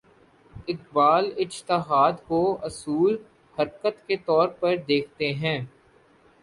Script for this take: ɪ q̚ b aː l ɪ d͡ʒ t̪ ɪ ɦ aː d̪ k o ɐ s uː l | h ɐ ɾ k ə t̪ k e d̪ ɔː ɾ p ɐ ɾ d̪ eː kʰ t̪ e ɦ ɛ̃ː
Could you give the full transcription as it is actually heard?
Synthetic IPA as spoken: ɪ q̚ b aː l ɪ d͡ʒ t̪ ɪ ɦ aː d̪ k o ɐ s uː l | h ɐ ɾ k ə t̪ k e t̪ ɔː ɾ p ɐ ɾ d̪ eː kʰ t̪ e ɦ ɛ̃ː